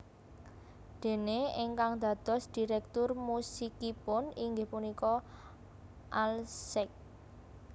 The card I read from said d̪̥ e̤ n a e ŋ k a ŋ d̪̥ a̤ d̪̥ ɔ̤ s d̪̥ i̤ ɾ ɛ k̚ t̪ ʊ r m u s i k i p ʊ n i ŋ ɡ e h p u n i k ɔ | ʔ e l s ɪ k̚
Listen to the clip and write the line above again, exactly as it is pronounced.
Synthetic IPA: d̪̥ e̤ n e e ŋ k a ŋ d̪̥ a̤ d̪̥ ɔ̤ s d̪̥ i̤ ɾ ɛ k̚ t̪ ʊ r m u s i k i p ʊ n i ŋ ɡ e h p u n i k ɔ | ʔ a l s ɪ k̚